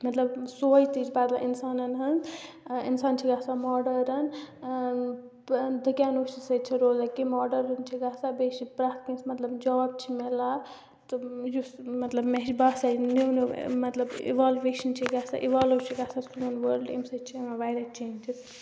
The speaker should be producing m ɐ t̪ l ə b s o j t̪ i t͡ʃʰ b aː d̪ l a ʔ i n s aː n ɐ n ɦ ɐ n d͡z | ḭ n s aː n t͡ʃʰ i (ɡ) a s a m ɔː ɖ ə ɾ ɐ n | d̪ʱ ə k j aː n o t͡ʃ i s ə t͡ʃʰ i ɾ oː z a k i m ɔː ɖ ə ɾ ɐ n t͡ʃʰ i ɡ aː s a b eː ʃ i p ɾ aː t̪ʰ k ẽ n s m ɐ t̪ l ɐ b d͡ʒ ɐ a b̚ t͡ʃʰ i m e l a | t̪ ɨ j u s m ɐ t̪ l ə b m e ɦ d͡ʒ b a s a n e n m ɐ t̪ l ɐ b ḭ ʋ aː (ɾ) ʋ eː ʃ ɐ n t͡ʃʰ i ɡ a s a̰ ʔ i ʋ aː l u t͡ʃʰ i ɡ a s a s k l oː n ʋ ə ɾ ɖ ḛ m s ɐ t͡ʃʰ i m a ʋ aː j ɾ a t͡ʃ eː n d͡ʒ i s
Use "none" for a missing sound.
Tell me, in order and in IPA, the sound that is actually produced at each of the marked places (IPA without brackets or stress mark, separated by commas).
ɡ, l